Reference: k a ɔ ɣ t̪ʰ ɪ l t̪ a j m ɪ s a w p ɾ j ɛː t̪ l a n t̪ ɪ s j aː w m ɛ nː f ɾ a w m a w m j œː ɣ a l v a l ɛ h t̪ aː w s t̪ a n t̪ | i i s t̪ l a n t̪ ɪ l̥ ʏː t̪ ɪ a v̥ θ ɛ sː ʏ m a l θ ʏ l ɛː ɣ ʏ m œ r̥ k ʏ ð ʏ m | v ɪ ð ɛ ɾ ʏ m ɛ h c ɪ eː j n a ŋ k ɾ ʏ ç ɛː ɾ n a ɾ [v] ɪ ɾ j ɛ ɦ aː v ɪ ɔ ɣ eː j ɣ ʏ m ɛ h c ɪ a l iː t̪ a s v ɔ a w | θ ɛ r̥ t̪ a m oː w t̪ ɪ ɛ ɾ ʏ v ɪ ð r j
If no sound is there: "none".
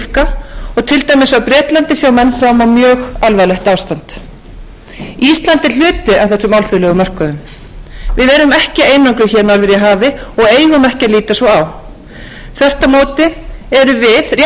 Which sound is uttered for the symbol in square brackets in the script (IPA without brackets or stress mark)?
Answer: v